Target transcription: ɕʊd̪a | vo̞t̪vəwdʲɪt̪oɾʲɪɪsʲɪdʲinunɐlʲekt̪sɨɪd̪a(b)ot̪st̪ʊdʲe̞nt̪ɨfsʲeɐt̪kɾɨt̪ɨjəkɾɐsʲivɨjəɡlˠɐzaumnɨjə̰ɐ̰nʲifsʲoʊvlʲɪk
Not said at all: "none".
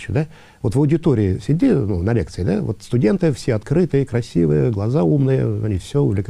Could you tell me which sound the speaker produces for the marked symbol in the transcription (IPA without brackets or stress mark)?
v